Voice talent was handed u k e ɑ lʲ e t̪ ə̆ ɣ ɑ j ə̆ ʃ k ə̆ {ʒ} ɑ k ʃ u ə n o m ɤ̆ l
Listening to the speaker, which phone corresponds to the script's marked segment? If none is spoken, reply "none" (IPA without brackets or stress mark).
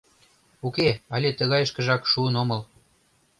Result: ʒ